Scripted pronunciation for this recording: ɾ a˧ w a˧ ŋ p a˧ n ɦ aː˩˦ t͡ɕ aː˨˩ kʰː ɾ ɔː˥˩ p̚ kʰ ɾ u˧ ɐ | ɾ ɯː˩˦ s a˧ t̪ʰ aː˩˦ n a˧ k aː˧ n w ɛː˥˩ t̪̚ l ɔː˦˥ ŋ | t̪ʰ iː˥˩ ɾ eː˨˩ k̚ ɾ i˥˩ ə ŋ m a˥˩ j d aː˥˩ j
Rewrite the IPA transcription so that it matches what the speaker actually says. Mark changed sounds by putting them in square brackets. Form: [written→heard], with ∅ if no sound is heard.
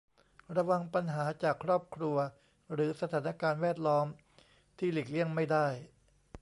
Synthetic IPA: ɾ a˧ w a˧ ŋ p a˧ n ɦ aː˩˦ t͡ɕ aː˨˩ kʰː ɾ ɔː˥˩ p̚ kʰ ɾ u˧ ɐ | ɾ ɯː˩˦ s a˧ t̪ʰ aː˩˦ n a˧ k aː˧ n w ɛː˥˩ t̪̚ l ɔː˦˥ [ŋ→m] | t̪ʰ iː˥˩ [ɾ→l] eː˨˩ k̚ [ɾ→l] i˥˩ ə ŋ m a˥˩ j d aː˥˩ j

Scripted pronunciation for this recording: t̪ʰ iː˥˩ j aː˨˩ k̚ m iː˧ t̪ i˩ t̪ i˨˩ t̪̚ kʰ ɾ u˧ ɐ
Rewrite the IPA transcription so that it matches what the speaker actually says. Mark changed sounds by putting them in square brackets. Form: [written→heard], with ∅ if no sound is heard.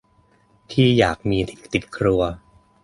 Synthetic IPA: t̪ʰ iː˥˩ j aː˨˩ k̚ m iː˧ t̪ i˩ t̪ i˨˩ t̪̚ kʰ ɾ u˧ ɐ

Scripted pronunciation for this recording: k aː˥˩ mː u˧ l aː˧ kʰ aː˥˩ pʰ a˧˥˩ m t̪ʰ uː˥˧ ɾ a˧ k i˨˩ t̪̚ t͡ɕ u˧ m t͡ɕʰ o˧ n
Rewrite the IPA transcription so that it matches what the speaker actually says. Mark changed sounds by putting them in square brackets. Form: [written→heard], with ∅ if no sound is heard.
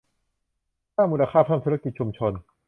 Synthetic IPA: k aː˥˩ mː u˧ l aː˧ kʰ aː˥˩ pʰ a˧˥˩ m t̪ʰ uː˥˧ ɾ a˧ k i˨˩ t̪̚ [t͡ɕ→t͡ɕʰ] u˧ m t͡ɕʰ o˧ n

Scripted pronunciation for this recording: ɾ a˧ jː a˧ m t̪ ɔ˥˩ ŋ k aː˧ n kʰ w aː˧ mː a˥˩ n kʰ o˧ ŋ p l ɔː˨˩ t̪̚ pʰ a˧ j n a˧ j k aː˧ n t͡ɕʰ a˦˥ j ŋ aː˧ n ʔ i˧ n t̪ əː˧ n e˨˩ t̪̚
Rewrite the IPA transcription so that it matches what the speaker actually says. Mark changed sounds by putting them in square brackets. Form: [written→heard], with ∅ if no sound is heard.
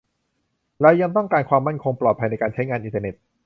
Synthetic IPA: ɾ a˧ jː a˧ [m→ŋ] t̪ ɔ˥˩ ŋ k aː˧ n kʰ w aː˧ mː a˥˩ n kʰ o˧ ŋ p l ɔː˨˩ t̪̚ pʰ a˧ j n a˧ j k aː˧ n t͡ɕʰ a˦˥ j ŋ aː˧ n ʔ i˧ n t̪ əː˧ n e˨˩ t̪̚

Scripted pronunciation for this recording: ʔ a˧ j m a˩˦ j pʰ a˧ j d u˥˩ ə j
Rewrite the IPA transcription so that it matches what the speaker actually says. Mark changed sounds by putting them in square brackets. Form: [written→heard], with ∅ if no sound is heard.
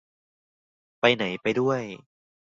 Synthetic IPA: [ʔ→p] a˧ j [m→n] a˩˦ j [pʰ→p] a˧ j d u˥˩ ə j

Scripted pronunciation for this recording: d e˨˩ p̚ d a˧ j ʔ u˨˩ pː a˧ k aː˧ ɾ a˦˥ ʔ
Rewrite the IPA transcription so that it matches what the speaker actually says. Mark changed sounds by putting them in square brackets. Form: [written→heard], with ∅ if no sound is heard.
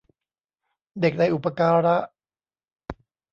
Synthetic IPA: d e˨˩ [p̚→k̚] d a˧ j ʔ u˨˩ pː a˧ k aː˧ ɾ a˦˥ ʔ

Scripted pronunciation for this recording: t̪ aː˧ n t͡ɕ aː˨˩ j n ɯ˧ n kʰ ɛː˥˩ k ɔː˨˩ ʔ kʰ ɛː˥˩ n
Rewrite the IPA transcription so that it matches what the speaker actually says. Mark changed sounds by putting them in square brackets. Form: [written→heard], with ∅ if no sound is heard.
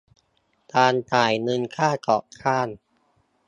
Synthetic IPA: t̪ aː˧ n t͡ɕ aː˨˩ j n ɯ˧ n kʰ [ɛː˥˩→aː˥˩] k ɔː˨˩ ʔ kʰ [ɛː˥˩→aː˥˩] n

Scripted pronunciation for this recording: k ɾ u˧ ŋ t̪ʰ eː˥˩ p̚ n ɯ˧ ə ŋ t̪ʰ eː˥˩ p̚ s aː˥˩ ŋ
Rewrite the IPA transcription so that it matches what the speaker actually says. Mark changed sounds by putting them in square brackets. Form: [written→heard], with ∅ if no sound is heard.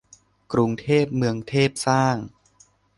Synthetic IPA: k ɾ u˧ ŋ t̪ʰ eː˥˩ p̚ [n→m] ɯ˧ ə ŋ t̪ʰ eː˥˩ p̚ s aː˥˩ ŋ

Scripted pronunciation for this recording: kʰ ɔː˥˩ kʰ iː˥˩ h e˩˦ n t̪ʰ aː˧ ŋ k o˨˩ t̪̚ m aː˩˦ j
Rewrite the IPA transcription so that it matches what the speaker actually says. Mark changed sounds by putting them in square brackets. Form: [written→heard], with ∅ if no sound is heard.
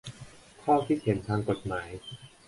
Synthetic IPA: kʰ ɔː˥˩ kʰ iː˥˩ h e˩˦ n t̪ʰ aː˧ ŋ k o˨˩ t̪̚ m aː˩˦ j

